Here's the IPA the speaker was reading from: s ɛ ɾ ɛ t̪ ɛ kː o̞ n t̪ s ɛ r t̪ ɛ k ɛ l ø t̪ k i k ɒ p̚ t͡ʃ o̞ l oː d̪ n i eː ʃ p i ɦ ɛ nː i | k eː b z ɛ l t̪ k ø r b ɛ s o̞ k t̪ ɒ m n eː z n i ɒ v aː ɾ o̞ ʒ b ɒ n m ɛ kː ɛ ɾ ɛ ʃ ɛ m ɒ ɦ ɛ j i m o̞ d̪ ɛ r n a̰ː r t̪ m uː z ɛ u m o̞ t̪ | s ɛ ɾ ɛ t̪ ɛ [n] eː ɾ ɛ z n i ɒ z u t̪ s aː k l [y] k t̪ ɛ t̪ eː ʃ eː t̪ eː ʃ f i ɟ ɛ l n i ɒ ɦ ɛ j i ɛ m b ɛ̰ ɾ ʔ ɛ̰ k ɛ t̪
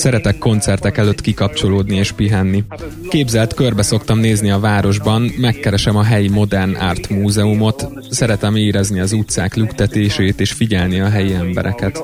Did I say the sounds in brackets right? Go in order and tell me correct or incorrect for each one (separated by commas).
incorrect, correct